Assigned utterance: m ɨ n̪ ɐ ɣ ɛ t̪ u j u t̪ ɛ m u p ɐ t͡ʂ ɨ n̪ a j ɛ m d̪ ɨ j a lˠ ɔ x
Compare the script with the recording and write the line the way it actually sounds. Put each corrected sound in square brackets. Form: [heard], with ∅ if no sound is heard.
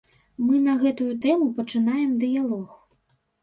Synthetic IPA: m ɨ n̪ ɐ ɣ ɛ t̪ u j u t̪ ɛ m u p ɐ t͡ʂ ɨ n̪ a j ɛ m d̪ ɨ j a lˠ ɔ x